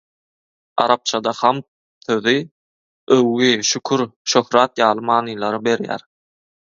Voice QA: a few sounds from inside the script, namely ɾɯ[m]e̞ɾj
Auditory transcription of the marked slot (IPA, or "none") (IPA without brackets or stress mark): b